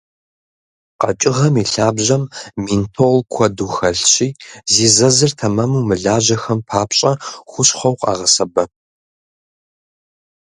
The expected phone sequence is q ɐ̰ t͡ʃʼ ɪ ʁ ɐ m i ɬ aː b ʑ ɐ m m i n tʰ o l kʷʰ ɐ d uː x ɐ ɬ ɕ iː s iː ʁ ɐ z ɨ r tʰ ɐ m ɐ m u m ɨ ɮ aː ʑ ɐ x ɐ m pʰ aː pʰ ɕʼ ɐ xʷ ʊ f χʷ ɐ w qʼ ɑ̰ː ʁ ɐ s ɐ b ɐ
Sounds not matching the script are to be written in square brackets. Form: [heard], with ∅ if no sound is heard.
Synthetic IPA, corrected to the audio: q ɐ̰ t͡ʃʼ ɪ ʁ ɐ m i ɬ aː b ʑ ɐ m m i n tʰ o l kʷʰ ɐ d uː x ɐ ɬ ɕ iː [z] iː [z] ɐ z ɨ r tʰ ɐ m ɐ m u m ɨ ɮ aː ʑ ɐ x ɐ m pʰ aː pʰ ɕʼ ɐ xʷ ʊ [ɕ] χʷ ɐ w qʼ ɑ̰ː ʁ ɐ s ɐ b ɐ